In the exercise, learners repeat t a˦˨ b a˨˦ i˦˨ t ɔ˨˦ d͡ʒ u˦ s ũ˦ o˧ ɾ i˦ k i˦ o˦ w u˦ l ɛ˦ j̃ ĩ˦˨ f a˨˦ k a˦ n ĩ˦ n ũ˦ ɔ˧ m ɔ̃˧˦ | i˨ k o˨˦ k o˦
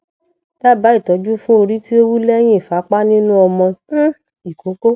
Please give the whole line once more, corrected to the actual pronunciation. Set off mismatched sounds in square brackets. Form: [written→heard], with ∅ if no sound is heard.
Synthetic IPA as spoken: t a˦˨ b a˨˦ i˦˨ t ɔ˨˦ d͡ʒ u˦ [s→f] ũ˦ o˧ ɾ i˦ [k→t] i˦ o˦ w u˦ l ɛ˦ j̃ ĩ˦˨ f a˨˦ [k→k͡p] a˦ n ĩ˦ n ũ˦ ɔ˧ m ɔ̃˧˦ | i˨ k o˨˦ k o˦